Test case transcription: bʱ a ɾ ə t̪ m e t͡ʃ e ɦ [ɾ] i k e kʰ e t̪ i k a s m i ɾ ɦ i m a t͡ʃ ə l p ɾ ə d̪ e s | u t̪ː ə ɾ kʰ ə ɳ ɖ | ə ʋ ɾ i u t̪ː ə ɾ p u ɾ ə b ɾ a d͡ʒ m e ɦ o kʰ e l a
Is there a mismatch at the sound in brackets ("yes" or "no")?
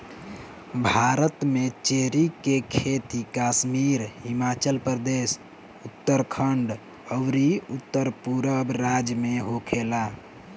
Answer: no